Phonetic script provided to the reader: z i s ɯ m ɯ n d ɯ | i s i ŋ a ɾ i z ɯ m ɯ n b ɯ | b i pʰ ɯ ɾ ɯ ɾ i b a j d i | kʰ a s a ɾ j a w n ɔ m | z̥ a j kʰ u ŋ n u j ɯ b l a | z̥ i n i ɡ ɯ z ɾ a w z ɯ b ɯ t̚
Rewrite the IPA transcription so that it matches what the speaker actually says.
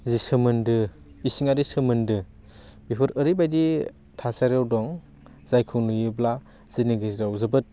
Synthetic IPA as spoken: z i s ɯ m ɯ n d ɯ | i s i ŋ a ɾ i s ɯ m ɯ n d ɯ | b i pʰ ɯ ɾ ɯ ɾ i b a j d i | tʰ a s a ɾ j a w d ɔ ŋ | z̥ a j kʰ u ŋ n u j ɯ b l a | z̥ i n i ɡ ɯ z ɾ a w z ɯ b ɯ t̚